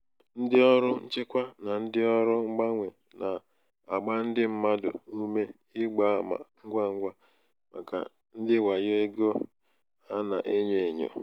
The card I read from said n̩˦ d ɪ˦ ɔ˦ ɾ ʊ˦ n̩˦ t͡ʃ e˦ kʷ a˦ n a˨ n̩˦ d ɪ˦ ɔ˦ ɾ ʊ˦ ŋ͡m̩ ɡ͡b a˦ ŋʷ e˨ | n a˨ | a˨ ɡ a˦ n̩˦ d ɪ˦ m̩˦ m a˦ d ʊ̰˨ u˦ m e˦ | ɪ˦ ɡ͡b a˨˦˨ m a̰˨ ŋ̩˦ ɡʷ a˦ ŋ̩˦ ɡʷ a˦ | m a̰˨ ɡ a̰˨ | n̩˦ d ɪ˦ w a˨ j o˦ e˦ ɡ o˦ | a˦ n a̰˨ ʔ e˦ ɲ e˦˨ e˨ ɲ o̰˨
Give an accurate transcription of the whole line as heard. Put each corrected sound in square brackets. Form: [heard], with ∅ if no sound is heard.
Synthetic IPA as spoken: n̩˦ d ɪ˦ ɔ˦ ɾ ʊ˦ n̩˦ t͡ʃ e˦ kʷ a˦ n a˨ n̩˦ d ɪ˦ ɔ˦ ɾ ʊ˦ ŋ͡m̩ ɡ͡b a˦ ŋʷ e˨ | n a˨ | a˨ [ɡ͡b] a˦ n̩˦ d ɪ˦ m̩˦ m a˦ d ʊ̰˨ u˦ m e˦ | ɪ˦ ɡ͡b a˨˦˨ m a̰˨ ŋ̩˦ ɡʷ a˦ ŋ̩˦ ɡʷ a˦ | m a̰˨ [k] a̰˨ | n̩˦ d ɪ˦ w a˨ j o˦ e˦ ɡ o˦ | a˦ n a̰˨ ʔ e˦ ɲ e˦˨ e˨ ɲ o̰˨